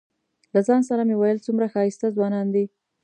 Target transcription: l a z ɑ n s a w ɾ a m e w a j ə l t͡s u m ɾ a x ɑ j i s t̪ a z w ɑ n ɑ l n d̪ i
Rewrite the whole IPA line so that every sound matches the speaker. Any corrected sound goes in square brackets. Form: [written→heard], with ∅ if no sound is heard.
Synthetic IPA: l a z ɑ n s a [w→∅] ɾ a m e w a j ə l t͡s u m ɾ a x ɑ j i s t̪ a z w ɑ n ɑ [l→∅] n d̪ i